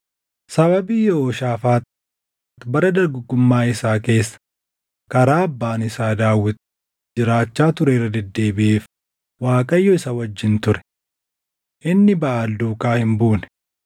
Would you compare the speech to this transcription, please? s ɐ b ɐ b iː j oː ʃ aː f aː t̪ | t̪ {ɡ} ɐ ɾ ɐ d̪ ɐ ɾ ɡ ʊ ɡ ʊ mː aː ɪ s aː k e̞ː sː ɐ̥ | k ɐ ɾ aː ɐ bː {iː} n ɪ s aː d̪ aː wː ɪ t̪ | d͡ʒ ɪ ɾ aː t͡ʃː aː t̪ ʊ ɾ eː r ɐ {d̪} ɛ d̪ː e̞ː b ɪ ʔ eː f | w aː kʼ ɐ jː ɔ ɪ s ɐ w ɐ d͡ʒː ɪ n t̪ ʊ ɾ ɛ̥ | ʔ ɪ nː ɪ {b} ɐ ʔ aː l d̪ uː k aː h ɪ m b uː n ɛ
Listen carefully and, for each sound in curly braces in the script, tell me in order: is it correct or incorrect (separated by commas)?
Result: incorrect, incorrect, correct, correct